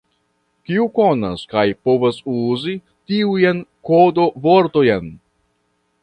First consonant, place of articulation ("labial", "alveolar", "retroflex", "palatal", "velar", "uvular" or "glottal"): velar